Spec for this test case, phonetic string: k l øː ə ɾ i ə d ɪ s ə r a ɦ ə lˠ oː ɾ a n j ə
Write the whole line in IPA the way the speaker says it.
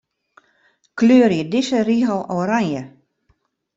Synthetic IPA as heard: k l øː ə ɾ j ə d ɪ s ə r i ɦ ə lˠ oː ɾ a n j ə